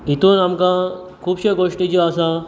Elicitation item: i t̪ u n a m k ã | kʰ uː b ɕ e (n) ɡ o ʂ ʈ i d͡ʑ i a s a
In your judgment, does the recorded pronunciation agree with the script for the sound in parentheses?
no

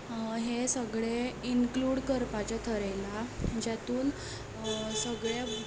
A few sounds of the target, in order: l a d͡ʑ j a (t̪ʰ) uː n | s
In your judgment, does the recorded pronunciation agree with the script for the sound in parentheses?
no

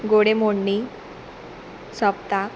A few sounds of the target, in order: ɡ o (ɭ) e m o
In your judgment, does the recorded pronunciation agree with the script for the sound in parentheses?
no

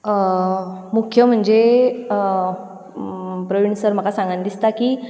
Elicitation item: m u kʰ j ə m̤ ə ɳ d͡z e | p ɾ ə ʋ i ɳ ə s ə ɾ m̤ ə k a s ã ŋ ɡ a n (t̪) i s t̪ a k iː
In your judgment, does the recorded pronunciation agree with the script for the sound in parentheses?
no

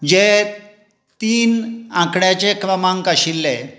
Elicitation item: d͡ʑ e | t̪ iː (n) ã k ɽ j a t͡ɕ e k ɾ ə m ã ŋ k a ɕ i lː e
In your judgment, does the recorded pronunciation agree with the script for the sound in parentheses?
yes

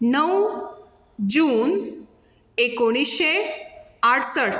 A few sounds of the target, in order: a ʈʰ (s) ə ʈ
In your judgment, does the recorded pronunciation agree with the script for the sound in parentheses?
yes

